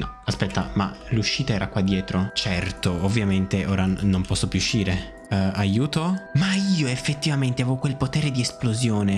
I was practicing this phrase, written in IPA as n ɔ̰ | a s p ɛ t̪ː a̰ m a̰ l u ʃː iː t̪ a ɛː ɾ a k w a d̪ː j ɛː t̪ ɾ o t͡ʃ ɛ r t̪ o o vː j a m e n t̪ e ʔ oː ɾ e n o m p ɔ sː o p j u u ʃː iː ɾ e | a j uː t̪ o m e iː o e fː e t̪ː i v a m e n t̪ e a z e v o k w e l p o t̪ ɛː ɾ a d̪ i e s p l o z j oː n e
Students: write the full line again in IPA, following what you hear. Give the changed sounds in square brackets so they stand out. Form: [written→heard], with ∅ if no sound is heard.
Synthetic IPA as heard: n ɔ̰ | a s p ɛ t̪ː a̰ m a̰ l u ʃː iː t̪ a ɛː ɾ a k w a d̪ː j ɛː t̪ ɾ o t͡ʃ ɛ r t̪ o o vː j a m e n t̪ e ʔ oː ɾ [e→a] n o m p ɔ sː o p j u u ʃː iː ɾ e | a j uː t̪ o m [e→a] iː o e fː e t̪ː i v a m e n t̪ e a [z→v] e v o k w e l p o t̪ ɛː ɾ [a→e] d̪ i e s p l o z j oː n e